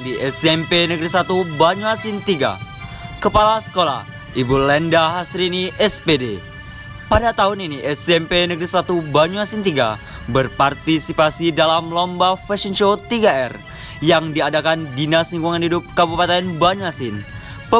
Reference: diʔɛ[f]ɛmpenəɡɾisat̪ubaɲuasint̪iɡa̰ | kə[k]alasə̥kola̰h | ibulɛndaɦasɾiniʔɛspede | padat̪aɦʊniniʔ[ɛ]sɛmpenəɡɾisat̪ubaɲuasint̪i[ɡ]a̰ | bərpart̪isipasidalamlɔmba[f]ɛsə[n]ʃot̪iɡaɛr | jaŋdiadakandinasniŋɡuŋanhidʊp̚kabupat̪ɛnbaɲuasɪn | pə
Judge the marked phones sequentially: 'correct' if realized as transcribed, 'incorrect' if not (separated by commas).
incorrect, incorrect, correct, correct, correct, correct